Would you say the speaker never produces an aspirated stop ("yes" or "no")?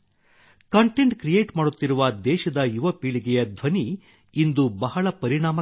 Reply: yes